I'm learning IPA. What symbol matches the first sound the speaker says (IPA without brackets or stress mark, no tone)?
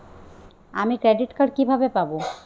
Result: a